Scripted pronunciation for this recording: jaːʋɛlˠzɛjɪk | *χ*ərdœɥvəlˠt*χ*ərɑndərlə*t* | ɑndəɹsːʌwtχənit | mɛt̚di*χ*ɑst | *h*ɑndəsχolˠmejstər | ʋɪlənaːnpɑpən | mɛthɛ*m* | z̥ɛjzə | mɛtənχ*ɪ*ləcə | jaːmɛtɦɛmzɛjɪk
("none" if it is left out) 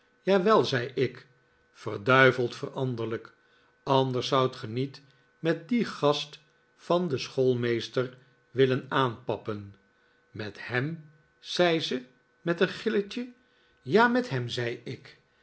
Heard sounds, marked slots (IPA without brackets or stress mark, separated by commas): f, f, k, χ, f, m, ɪ